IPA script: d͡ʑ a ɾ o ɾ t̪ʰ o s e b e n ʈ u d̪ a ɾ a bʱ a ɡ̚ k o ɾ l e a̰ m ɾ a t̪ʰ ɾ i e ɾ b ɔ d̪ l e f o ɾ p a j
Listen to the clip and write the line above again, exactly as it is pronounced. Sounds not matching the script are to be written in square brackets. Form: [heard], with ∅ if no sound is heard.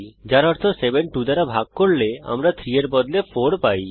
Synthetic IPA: d͡ʑ a ɾ [ɔ] ɾ t̪ʰ o s e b e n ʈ u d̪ a ɾ a bʱ a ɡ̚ k o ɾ l e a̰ m ɾ a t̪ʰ ɾ i e ɾ b ɔ d̪ l e f o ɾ p a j